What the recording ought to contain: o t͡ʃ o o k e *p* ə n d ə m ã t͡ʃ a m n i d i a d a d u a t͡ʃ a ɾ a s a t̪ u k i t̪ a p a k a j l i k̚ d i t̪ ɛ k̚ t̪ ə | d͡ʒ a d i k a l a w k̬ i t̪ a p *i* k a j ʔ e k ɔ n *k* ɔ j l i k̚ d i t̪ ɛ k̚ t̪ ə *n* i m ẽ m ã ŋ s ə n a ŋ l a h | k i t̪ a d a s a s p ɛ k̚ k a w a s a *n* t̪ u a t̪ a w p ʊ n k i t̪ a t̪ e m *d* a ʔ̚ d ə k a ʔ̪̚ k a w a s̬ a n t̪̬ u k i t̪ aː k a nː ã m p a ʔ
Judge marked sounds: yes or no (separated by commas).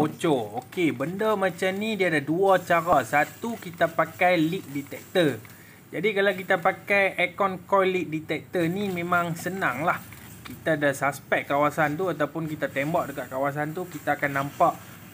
no, no, yes, yes, yes, no